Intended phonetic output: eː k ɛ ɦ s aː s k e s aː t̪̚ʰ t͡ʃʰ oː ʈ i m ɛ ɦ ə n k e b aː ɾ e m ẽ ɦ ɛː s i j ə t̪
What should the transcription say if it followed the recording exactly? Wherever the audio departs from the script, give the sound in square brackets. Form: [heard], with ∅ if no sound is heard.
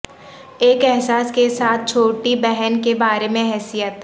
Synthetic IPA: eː k ɛ ɦ s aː s k e s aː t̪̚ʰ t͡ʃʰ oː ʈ i [b] ɛ ɦ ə n k e b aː ɾ e m ẽ ɦ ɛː s i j ə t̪

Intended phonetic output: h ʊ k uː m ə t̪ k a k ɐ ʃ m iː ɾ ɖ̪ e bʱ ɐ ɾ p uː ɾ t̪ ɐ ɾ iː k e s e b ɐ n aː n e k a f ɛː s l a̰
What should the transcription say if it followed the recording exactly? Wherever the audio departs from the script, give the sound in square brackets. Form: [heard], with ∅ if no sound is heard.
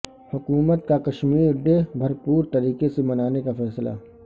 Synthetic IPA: h ʊ k uː m ə t̪ k a k ɐ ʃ m iː ɾ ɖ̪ e bʱ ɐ ɾ p uː ɾ t̪ ɐ ɾ iː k e s e [m] ɐ n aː n e k a f ɛː s l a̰

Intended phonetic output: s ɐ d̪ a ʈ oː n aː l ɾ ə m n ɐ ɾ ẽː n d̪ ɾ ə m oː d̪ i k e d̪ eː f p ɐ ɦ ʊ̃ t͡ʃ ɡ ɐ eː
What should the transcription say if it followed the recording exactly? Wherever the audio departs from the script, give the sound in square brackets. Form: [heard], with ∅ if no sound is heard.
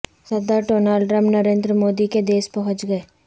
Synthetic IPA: s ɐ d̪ a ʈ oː n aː l ɾ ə m n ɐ ɾ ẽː n d̪ ɾ ə m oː d̪ i k e d̪ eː [s] p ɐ ɦ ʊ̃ t͡ʃ ɡ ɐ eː

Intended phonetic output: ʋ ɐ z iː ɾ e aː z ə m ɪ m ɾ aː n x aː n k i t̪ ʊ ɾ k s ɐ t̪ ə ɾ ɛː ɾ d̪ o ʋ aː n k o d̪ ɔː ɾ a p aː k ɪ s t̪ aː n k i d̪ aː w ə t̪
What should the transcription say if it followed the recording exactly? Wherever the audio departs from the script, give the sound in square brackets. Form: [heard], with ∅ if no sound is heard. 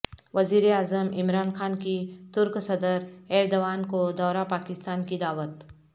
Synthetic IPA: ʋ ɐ z iː ɾ e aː z ə m ɪ m ɾ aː n x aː n k i t̪ ʊ ɾ k s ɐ [d̪] ə ɾ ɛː ɾ d̪ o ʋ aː n k o d̪ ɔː ɾ a p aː k ɪ s t̪ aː n k i d̪ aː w ə t̪

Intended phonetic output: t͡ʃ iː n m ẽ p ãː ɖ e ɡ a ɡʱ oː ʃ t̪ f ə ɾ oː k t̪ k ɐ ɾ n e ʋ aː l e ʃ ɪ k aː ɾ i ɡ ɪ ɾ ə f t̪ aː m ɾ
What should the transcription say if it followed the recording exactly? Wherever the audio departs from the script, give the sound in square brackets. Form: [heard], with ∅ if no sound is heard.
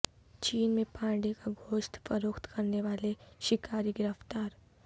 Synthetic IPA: t͡ʃ iː n m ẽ p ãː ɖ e [k] a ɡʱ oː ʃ t̪ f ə ɾ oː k t̪ k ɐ ɾ n e ʋ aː l e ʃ ɪ k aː ɾ i ɡ ɪ ɾ ə f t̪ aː [∅] ɾ

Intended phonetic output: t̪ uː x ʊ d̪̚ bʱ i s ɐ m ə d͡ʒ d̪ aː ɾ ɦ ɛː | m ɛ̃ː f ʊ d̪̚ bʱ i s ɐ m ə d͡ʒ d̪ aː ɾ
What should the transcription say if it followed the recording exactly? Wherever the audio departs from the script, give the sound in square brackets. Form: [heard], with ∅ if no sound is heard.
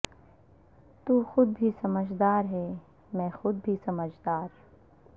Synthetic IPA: t̪ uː x ʊ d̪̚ bʱ i s ɐ m ə d͡ʒ d̪ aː ɾ ɦ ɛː | m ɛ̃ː [x] ʊ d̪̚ bʱ i s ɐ m ə d͡ʒ d̪ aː ɾ

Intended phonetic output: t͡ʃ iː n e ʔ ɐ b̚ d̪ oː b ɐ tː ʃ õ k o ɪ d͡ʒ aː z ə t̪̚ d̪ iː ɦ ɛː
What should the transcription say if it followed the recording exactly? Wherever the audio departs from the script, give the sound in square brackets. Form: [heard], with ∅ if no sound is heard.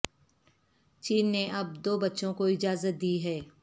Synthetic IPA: t͡ʃ iː [nː] e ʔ ɐ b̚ d̪ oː b ɐ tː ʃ õ k o ɪ d͡ʒ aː z ə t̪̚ d̪ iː ɦ ɛː

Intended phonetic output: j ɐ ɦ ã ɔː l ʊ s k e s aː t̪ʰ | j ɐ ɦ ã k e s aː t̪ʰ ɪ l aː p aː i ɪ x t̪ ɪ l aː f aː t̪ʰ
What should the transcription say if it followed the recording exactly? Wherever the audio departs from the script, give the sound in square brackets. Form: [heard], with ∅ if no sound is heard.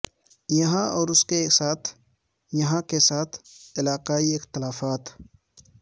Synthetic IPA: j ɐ ɦ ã ɔː [ɾ] ʊ s k e s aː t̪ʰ | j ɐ ɦ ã k e s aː t̪ʰ ɪ l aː [q] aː i ɪ x t̪ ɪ l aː f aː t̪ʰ

